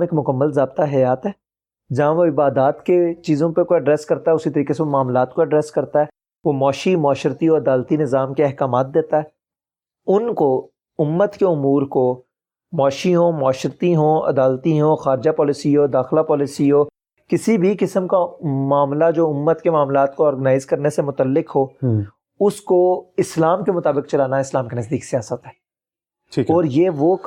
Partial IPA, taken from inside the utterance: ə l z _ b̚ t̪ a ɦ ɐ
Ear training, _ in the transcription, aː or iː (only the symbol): aː